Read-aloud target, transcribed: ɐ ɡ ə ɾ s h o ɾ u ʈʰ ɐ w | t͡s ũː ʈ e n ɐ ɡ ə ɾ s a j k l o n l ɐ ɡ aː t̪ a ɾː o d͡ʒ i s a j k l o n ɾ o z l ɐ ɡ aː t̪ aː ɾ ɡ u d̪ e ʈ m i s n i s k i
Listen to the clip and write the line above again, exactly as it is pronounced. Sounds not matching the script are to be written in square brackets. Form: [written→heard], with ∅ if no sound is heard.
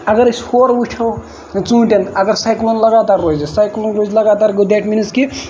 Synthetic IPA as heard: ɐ ɡ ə ɾ s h o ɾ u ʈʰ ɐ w | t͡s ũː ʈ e n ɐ ɡ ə ɾ s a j k l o n l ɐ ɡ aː t̪ a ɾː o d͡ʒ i s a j k l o n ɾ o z l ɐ ɡ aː t̪ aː ɾ ɡ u d̪ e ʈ m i [s→∅] n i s k i